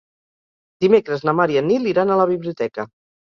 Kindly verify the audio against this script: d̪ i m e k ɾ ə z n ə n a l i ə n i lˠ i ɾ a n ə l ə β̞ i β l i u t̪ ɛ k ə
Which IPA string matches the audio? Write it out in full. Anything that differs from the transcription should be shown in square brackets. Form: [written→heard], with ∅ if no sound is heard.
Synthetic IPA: d̪ i m e k ɾ ə z n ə [n→m] a [l→ɾ] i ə n i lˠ i ɾ a n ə l ə β̞ i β l i u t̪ ɛ k ə